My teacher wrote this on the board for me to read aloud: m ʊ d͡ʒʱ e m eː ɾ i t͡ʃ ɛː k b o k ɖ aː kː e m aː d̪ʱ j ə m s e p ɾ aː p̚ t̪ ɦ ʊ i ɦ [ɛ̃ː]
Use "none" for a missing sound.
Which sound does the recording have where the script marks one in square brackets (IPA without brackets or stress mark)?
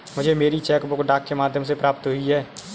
ɛː